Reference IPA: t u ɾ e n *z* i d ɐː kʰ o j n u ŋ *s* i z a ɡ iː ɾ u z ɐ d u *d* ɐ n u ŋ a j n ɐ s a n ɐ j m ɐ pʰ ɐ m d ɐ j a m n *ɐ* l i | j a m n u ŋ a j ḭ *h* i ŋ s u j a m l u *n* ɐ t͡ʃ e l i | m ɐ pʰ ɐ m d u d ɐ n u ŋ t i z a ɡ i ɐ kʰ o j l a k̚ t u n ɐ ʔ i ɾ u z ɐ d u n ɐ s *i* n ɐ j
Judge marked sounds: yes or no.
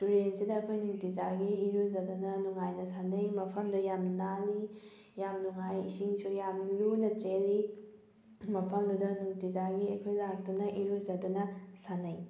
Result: no, no, no, no, no, yes, no

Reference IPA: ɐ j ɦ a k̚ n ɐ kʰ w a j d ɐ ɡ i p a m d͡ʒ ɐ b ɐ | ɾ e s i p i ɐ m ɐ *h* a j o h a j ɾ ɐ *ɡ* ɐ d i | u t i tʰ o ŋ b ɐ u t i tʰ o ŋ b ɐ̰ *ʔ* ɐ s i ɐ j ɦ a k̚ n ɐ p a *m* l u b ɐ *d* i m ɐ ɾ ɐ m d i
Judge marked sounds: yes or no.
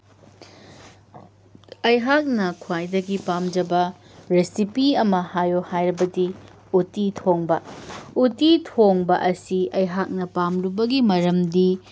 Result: yes, no, yes, yes, no

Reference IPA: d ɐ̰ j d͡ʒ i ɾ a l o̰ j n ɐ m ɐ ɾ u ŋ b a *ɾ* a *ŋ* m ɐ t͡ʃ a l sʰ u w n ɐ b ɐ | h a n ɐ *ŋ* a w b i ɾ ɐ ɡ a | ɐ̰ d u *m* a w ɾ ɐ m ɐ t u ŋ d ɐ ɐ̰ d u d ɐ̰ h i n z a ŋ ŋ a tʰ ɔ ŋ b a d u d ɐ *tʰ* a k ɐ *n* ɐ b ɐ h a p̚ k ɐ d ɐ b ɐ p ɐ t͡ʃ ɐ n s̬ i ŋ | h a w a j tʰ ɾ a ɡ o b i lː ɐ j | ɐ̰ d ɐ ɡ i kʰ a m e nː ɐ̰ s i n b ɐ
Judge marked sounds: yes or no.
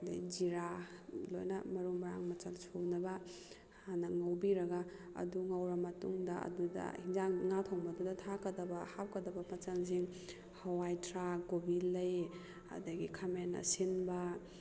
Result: yes, yes, yes, no, yes, no

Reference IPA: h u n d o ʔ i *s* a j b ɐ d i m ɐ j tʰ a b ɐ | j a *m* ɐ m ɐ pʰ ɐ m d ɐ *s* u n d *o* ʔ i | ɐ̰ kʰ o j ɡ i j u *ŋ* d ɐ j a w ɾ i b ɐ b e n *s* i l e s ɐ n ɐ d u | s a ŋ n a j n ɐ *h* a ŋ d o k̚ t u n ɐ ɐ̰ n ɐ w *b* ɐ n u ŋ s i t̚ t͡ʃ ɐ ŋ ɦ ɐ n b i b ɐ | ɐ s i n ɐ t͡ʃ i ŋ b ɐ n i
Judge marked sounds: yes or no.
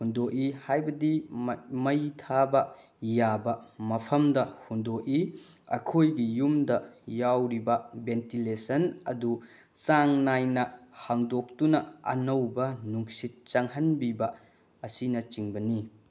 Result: no, no, no, yes, no, no, yes, yes

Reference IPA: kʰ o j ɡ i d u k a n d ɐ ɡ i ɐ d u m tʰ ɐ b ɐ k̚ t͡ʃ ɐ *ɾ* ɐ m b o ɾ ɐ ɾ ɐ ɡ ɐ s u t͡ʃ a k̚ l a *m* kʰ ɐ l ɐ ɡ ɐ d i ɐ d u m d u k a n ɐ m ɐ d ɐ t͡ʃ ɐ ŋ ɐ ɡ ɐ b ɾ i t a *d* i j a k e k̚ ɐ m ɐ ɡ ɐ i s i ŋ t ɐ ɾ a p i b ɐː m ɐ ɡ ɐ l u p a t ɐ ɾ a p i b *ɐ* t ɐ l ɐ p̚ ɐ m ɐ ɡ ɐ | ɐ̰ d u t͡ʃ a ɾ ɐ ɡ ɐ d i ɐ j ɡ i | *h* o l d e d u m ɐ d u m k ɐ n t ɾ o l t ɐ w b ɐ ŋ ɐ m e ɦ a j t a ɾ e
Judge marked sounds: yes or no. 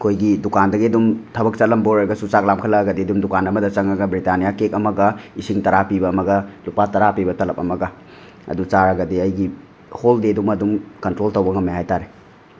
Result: no, yes, no, yes, yes

